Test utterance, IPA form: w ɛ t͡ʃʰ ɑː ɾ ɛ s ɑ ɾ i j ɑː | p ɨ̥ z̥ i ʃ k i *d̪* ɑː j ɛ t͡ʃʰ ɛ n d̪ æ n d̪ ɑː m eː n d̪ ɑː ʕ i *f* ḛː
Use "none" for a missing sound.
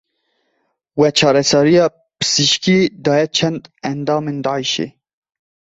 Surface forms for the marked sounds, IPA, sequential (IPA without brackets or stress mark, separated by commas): d̪, ʃ